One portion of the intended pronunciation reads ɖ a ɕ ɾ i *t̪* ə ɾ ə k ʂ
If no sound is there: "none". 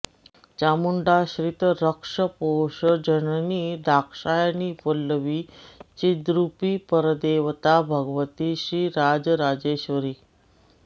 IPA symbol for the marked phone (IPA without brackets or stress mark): t̪